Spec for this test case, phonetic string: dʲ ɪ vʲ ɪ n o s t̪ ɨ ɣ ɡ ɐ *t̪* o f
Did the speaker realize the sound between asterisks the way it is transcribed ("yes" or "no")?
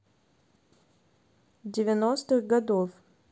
no